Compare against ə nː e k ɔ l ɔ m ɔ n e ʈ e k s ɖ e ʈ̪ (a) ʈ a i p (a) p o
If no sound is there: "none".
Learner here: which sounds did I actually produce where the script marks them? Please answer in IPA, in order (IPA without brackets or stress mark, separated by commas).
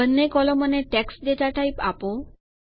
a, a